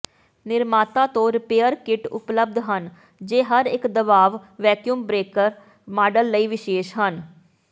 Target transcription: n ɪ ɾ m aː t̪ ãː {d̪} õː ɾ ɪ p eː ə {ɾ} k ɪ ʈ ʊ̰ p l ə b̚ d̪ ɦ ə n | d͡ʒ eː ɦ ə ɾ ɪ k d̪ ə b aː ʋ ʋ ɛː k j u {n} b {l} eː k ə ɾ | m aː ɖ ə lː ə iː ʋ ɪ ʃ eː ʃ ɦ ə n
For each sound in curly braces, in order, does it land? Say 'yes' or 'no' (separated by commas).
no, yes, no, no